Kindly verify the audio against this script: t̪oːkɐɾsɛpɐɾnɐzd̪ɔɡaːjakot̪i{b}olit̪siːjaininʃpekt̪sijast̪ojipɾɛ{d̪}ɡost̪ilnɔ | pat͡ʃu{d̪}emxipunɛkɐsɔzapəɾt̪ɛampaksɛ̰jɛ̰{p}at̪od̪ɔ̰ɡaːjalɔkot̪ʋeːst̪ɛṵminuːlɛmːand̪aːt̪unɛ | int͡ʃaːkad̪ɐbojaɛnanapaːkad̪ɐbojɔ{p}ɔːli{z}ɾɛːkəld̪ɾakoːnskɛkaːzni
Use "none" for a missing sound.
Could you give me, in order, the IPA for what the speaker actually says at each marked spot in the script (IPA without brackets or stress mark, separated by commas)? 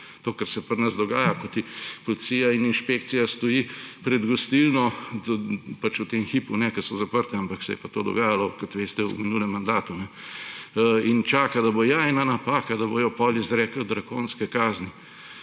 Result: p, d̪, t̪, p, p, z